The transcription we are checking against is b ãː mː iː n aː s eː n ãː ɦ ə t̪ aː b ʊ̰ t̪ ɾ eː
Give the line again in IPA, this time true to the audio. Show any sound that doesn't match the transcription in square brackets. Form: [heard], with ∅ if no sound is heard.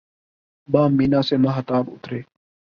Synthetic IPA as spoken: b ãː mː iː n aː s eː [m] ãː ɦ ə t̪ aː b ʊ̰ t̪ ɾ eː